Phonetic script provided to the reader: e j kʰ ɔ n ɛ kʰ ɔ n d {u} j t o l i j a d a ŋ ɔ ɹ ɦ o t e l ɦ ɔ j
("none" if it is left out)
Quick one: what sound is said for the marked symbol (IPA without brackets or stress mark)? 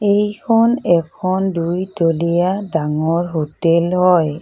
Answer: u